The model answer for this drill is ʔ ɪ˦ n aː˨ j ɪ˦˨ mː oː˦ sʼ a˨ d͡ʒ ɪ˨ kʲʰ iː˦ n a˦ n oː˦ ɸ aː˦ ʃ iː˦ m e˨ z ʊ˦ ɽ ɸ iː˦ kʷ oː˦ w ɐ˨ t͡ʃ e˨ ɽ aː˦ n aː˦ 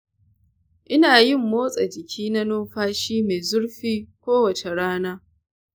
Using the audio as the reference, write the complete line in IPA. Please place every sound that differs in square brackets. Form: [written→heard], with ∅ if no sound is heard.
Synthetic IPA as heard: ʔ ɪ˦ n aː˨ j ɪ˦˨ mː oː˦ sʼ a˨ d͡ʒ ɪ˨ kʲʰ iː˦ n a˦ n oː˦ ɸ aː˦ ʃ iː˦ m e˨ z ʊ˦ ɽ ɸ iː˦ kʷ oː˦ w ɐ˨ t͡ʃ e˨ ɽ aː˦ n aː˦